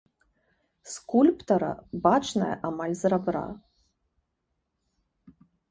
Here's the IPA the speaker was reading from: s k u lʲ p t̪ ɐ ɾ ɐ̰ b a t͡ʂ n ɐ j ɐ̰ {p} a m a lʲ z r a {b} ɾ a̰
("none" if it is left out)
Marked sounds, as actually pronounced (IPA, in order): ʔ, b

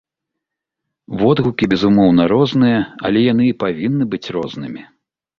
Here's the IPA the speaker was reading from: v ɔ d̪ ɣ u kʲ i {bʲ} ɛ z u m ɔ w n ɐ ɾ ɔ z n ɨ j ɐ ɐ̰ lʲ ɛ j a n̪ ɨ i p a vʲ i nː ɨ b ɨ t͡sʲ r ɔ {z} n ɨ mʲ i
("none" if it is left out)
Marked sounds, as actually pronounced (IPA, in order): bʲ, z

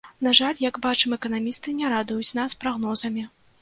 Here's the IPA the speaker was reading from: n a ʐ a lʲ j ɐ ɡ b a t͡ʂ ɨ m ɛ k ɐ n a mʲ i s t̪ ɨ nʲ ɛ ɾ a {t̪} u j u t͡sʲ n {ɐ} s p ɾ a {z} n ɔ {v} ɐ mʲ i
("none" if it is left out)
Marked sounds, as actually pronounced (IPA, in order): d̪, a, ɣ, z

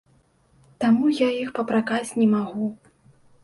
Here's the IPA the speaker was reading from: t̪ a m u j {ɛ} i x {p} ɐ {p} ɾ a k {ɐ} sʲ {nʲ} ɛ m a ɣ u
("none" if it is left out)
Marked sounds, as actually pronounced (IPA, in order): a, p, p, a, nʲ

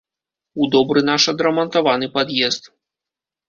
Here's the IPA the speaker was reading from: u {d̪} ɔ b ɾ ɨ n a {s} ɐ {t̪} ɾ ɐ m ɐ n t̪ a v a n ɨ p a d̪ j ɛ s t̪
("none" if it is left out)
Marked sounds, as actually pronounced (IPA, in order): d̪, ʂ, d̪

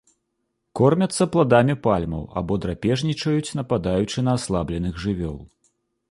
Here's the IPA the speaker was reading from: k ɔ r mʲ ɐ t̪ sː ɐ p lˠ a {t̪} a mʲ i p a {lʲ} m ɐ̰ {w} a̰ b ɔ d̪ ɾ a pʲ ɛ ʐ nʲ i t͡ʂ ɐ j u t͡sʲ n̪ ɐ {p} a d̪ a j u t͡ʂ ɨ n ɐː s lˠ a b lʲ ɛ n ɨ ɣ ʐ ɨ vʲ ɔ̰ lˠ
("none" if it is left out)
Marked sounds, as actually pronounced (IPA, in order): d̪, lʲ, w, p

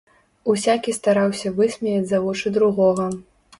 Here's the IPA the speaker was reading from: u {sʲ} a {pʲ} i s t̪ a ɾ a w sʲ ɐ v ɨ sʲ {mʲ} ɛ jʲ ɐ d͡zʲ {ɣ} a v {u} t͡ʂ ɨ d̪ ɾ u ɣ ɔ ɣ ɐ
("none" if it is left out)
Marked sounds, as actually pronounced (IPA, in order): sʲ, kʲ, mʲ, z, ɔ

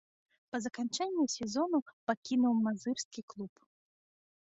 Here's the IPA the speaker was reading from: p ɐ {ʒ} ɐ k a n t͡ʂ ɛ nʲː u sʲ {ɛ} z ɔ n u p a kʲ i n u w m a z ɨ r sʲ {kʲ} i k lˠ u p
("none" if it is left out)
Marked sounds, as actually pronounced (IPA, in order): z, ɛ, kʲ

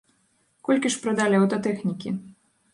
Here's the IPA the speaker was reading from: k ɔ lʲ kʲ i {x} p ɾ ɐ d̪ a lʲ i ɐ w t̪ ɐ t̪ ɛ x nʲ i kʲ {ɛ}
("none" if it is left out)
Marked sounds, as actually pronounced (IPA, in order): ʂ, i

